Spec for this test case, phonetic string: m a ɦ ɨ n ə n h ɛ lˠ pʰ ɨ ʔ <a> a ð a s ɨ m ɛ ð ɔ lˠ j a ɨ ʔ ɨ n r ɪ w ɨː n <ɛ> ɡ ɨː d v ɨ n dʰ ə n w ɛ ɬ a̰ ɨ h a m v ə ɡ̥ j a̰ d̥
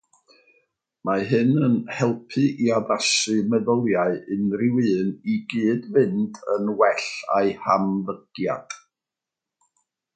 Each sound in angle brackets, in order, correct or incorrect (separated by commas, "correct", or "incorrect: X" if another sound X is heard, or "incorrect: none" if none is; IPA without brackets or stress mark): incorrect: i, incorrect: i